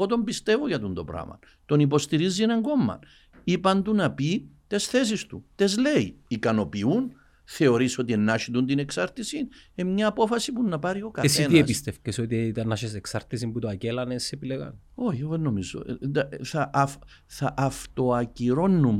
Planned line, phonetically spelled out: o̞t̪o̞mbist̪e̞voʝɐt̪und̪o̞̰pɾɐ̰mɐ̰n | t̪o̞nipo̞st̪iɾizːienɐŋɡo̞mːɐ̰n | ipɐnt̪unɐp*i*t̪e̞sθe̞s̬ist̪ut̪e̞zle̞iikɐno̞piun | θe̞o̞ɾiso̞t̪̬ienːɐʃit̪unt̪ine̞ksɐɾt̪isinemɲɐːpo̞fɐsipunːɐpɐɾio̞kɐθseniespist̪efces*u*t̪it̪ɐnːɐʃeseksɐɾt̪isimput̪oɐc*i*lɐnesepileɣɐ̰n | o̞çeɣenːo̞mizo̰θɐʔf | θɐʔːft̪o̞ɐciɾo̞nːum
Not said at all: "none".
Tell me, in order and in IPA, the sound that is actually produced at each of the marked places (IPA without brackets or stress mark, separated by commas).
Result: i, o, e